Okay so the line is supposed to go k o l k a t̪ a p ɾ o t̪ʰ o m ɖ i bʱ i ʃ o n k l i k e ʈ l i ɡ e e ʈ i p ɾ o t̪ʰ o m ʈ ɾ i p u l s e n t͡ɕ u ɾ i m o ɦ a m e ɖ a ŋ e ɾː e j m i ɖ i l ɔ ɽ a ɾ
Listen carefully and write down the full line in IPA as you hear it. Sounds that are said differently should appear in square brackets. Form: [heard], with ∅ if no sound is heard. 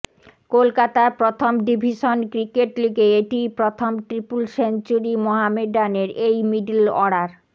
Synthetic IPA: k o l k a t̪ a p ɾ o t̪ʰ o m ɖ i bʱ i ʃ o n k [ɾ] i k e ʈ l i ɡ e e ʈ i p ɾ o t̪ʰ o m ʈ ɾ i p u l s e n t͡ɕ u ɾ i m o ɦ a m e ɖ a [n] e [ɾ] e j m i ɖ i l ɔ ɽ a ɾ